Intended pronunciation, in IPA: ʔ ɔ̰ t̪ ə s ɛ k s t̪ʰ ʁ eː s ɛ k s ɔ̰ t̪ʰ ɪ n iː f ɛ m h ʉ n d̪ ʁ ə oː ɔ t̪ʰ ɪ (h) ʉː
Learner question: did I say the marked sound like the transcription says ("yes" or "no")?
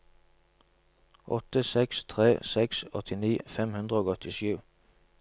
no